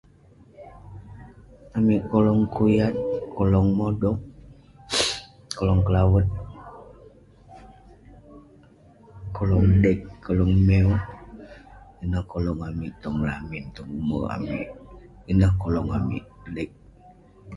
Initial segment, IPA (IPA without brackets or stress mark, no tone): a